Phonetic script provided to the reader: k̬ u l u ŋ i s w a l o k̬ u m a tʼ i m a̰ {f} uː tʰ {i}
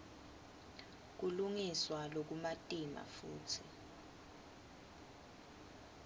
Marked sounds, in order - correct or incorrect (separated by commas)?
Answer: correct, correct